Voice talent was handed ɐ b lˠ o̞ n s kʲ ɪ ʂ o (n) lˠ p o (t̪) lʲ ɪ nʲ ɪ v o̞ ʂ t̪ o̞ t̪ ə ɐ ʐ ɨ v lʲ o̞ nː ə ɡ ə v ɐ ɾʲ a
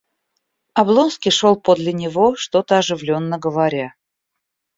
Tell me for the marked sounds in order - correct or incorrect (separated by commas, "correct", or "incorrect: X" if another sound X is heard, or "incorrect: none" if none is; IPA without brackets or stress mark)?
incorrect: none, incorrect: d̪